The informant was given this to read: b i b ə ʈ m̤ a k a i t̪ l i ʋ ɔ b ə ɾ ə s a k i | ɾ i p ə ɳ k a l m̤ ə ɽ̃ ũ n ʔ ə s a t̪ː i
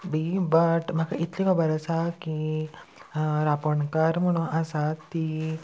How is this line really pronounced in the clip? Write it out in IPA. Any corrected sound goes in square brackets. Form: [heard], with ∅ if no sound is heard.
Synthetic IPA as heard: b i b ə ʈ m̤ a k a i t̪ l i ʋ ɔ b ə ɾ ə s a k i | ɾ [a] p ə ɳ k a [ɾ] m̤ ə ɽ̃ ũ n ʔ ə s a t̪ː i